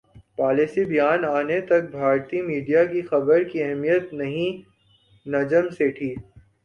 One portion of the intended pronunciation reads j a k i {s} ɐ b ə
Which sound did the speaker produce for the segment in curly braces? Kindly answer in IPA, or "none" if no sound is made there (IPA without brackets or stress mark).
x